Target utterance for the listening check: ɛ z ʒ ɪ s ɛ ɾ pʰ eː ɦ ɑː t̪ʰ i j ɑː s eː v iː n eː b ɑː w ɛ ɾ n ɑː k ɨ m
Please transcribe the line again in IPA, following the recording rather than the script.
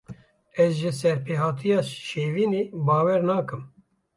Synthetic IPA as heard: ɛ z ʒ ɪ s ɛ ɾ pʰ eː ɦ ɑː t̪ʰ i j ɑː ʃ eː v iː n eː b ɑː w ɛ ɾ n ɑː k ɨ m